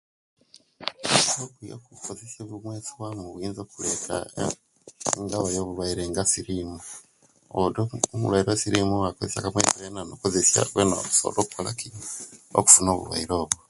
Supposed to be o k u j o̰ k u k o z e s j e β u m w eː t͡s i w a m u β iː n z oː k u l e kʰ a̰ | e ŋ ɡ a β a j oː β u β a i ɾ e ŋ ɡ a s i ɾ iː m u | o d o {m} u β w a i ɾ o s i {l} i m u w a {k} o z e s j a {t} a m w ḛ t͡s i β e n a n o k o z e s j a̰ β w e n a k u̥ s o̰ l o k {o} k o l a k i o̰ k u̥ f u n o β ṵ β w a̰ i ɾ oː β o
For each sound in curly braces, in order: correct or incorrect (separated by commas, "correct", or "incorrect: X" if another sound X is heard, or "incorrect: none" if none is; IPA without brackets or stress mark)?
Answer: correct, incorrect: ɾ, correct, incorrect: k, incorrect: u